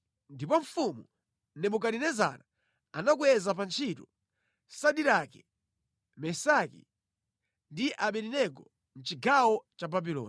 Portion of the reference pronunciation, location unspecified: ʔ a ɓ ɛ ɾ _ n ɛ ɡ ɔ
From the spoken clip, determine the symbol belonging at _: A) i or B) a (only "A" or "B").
A